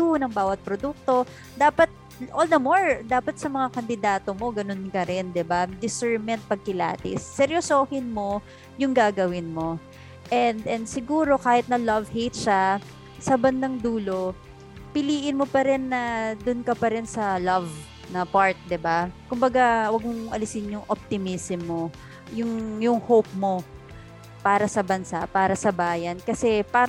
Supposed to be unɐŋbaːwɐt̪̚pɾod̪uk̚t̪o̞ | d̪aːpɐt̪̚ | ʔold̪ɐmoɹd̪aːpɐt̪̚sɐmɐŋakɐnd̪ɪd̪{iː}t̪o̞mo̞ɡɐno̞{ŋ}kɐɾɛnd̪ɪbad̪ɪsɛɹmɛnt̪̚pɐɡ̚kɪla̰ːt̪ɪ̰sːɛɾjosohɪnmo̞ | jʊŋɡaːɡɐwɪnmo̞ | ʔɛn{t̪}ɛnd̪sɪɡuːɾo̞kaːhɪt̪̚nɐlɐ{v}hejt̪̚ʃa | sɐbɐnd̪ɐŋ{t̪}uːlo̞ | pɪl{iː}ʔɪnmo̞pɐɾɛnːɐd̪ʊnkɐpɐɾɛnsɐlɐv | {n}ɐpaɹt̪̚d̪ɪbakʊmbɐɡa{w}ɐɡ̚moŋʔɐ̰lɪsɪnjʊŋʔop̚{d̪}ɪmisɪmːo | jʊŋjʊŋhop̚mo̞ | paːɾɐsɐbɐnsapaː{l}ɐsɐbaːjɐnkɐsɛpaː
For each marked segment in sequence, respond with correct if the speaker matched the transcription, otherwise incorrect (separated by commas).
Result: incorrect, incorrect, incorrect, correct, incorrect, correct, correct, correct, incorrect, incorrect